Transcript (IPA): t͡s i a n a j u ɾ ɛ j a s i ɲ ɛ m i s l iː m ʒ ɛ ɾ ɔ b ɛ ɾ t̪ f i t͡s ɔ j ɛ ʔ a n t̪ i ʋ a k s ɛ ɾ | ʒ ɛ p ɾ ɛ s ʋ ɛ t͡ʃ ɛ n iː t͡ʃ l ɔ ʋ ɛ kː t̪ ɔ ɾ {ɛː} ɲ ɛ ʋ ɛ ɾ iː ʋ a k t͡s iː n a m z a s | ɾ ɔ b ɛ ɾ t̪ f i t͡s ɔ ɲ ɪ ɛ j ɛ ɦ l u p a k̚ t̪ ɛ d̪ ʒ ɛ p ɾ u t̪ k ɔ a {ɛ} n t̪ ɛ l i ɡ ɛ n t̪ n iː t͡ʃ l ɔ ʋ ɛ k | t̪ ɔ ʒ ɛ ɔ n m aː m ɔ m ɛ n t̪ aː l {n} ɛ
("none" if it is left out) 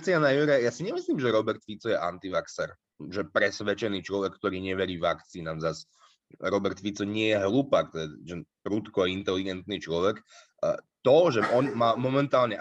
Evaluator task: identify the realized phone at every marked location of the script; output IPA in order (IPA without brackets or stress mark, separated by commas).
iː, i, ɲ